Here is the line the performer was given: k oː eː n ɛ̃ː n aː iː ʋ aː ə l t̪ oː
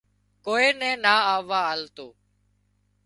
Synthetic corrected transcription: k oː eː n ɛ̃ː n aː aː ʋ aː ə l t̪ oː